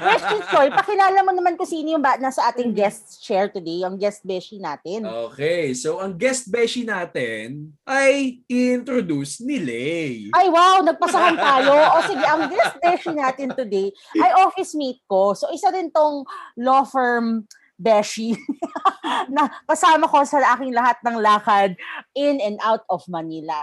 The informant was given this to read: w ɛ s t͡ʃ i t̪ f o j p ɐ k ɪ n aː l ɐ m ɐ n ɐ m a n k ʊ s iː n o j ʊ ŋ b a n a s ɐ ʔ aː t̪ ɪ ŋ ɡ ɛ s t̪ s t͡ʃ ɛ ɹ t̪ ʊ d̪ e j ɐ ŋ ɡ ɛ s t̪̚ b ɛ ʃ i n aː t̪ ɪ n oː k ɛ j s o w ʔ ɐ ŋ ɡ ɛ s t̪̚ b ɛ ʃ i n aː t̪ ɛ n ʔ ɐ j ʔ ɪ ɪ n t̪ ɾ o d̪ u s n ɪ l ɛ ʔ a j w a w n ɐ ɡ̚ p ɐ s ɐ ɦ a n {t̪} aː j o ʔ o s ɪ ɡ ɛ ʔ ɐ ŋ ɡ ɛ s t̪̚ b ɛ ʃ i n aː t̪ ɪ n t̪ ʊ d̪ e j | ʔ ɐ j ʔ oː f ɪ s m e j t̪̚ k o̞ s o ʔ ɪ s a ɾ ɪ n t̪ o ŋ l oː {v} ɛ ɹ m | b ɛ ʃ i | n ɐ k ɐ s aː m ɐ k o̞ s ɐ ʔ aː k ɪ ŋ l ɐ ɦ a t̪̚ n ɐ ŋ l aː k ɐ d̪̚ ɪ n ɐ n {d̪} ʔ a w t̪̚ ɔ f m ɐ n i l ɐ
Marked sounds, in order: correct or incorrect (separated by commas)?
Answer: correct, incorrect, correct